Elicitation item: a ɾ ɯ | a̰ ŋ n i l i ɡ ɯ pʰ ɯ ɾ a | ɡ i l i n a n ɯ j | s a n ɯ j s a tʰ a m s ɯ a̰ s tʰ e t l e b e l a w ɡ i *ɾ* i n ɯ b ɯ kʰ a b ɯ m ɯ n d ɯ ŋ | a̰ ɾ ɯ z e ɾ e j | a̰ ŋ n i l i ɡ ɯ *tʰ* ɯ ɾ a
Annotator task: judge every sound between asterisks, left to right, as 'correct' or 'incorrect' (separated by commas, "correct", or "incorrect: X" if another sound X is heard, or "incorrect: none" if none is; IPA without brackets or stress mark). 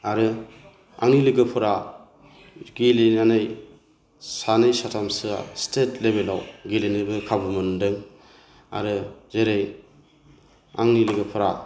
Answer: incorrect: l, incorrect: pʰ